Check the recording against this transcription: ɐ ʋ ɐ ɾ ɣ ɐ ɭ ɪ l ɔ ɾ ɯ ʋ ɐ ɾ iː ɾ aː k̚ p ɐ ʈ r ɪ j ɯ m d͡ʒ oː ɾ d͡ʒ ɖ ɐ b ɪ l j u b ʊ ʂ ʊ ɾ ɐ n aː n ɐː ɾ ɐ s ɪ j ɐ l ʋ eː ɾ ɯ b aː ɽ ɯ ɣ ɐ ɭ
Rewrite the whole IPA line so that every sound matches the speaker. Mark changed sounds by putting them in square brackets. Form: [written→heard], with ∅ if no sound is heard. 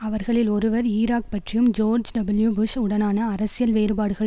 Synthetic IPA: ɐ ʋ ɐ ɾ ɣ ɐ ɭ ɪ l ɔ ɾ ɯ ʋ ɐ ɾ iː ɾ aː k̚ p ɐ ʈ r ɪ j ɯ m d͡ʒ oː ɾ d͡ʒ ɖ ɐ b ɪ l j u b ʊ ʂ ʊ [ɾ→ɽ] ɐ n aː n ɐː ɾ ɐ s ɪ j ɐ l ʋ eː ɾ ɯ b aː ɽ ɯ ɣ ɐ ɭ

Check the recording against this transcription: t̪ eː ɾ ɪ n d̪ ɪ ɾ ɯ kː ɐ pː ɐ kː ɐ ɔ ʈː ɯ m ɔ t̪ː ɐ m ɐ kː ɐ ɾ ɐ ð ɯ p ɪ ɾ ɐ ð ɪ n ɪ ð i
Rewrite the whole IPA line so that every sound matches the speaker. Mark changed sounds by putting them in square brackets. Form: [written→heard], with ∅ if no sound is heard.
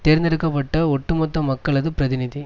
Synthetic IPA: t̪ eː ɾ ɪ n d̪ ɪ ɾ ɯ kː ɐ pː ɐ [kː→ʈː] ɐ ɔ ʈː ɯ m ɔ t̪ː ɐ m ɐ kː ɐ [ɾ→ɭ] ɐ ð ɯ p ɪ ɾ ɐ ð ɪ n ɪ ð i

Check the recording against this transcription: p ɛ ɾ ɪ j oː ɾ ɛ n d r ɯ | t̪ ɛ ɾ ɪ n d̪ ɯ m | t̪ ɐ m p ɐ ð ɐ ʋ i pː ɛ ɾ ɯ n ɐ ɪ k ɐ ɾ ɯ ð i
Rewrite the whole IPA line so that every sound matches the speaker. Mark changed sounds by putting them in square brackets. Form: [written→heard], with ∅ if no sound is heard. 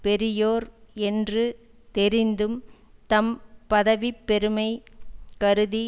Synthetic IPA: p ɛ ɾ ɪ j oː ɾ ɛ n d r ɯ | t̪ ɛ ɾ ɪ n d̪ ɯ m | t̪ ɐ m p ɐ ð ɐ ʋ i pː ɛ ɾ ɯ [n→m] ɐ ɪ k ɐ ɾ ɯ ð i

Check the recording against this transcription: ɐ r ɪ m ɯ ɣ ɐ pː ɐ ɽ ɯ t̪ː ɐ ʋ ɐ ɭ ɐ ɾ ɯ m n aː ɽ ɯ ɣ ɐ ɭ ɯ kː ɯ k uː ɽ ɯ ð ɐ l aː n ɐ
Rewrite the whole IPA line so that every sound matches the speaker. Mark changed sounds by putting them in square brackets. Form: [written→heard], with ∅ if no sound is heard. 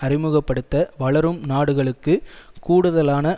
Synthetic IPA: ɐ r ɪ m ɯ ɣ ɐ pː ɐ ɽ ɯ t̪ː ɐ ʋ ɐ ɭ ɐ ɾ ɯ m n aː ɽ ɯ ɣ ɐ ɭ ɯ kː ɯ k uː ɽ ɯ ð ɐ l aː n ɐ

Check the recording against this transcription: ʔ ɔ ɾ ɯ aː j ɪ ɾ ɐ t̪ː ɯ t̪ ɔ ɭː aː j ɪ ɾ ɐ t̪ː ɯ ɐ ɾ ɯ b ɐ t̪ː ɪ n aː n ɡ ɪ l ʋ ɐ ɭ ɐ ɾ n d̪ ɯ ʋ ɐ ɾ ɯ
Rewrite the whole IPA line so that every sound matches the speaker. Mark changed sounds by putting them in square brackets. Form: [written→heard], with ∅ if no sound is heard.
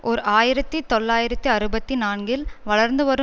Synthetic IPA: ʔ ɔ ɾ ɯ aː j ɪ ɾ ɐ t̪ː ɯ t̪ ɔ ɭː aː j ɪ ɾ ɐ t̪ː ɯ ɐ ɾ ɯ b ɐ t̪ː [ɪ→i] n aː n ɡ ɪ l ʋ ɐ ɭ ɐ ɾ n d̪ ɯ ʋ ɐ ɾ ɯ

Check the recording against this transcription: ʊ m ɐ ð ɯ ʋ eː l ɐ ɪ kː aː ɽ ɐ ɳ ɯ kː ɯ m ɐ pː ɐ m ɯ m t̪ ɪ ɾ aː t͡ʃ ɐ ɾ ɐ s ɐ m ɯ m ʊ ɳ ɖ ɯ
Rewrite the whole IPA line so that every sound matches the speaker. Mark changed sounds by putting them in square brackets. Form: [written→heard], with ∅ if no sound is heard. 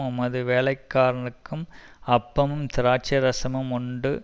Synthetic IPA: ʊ m ɐ ð ɯ ʋ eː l ɐ ɪ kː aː [ɽ→ɾ] ɐ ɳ ɯ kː ɯ m ɐ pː ɐ m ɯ m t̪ ɪ ɾ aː t͡ʃ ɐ ɾ ɐ s ɐ m ɯ m ʊ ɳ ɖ ɯ

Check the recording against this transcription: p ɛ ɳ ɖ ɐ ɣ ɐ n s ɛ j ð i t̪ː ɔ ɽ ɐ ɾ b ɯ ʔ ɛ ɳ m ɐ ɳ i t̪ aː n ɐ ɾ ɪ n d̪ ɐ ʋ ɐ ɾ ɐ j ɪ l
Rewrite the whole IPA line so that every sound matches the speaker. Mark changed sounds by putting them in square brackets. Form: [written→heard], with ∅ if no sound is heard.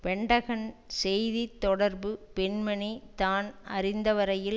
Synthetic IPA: p ɛ ɳ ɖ ɐ ɣ ɐ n s ɛ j ð i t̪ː ɔ ɽ ɐ ɾ b ɯ [ʔ→p] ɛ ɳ m ɐ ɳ i t̪ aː n ɐ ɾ ɪ n d̪ ɐ ʋ ɐ ɾ ɐ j ɪ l

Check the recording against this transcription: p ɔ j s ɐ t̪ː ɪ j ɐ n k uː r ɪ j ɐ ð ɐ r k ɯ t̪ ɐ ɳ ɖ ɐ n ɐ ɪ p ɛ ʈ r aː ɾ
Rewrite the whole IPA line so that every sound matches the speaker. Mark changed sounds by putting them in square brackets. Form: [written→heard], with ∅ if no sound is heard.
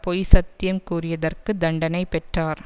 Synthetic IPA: p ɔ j s ɐ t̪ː ɪ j ɐ [n→m] k uː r ɪ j ɐ ð ɐ r k ɯ [t̪→d̪] ɐ ɳ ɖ ɐ n ɐ ɪ p ɛ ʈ r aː ɾ

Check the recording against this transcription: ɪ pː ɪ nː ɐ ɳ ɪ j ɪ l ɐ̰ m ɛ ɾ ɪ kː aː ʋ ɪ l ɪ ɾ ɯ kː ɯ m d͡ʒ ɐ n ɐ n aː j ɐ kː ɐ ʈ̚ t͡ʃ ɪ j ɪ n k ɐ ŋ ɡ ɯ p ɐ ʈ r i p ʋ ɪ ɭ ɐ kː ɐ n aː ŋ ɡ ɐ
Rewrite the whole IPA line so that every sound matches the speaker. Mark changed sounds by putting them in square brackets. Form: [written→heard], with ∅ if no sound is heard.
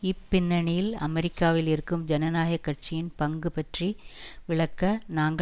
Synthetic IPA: ɪ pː ɪ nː ɐ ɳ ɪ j ɪ l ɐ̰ m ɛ ɾ ɪ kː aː ʋ ɪ l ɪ ɾ ɯ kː ɯ m d͡ʒ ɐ n ɐ n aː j ɐ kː ɐ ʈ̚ t͡ʃ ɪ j ɪ n [k→p] ɐ ŋ ɡ ɯ p ɐ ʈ r i [p→∅] ʋ ɪ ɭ ɐ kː ɐ n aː ŋ ɡ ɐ

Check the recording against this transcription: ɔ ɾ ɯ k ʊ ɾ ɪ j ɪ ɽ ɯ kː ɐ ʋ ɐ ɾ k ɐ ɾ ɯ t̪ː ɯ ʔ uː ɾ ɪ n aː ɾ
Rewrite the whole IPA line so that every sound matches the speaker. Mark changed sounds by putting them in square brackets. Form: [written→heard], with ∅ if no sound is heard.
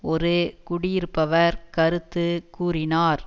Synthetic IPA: ɔ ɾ ɯ k ʊ [ɾ→ɽ] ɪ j ɪ [ɽ→ɾ] ɯ [kː→pː] ɐ ʋ ɐ ɾ k ɐ ɾ ɯ t̪ː ɯ [ʔ→k] uː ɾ ɪ n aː ɾ

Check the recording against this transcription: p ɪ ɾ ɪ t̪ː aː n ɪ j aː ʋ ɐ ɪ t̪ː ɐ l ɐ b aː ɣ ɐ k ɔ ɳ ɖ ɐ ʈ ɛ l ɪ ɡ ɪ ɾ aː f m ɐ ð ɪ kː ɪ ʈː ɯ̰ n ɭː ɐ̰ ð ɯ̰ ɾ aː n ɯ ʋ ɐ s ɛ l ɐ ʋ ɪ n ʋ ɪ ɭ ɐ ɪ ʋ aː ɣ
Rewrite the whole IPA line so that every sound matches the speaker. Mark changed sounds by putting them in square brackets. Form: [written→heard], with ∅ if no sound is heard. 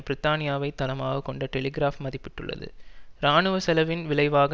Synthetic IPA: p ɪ ɾ ɪ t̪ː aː n ɪ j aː ʋ ɐ ɪ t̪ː ɐ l ɐ [b→m] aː ɣ ɐ k ɔ ɳ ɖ ɐ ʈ ɛ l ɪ ɡ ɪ ɾ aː f m ɐ ð ɪ [kː→pː] ɪ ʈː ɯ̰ [n→∅] ɭː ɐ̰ ð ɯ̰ ɾ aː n ɯ ʋ ɐ s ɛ l ɐ ʋ ɪ n ʋ ɪ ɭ ɐ ɪ ʋ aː ɣ

